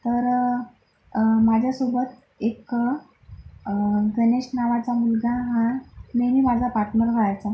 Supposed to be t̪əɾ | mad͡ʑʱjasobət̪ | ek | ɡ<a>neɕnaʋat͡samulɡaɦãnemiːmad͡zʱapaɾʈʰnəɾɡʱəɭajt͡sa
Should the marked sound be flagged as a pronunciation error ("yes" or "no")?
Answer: yes